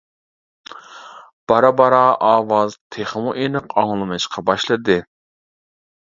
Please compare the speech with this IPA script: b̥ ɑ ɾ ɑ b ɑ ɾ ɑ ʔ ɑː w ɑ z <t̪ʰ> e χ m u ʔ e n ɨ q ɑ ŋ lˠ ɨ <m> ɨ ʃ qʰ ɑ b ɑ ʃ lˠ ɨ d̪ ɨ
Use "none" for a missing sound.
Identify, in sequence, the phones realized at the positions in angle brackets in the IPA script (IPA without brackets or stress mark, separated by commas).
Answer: t̪ʰ, m